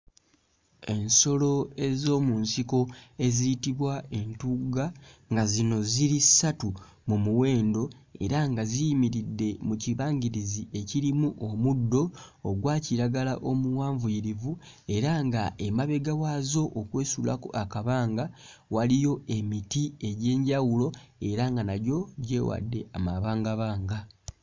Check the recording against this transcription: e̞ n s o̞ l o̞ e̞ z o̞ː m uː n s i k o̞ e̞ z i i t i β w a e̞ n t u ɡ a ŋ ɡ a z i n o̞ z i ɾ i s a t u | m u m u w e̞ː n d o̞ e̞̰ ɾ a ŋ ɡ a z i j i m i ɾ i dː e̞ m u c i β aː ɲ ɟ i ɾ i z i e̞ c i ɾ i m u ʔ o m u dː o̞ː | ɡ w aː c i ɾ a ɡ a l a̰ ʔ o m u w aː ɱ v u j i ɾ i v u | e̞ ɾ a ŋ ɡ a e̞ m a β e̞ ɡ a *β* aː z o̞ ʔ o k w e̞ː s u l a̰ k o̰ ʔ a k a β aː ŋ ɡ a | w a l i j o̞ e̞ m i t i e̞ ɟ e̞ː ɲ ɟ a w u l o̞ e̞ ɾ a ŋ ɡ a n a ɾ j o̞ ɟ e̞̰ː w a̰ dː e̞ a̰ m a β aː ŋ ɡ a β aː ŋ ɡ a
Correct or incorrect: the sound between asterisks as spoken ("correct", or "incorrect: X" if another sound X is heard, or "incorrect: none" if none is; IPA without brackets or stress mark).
incorrect: w